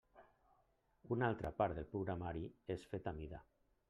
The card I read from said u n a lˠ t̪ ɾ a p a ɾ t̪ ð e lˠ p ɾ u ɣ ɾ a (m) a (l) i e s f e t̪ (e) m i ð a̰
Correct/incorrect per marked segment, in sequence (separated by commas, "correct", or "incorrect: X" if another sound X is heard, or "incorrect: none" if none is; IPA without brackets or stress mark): correct, incorrect: ɾ, incorrect: a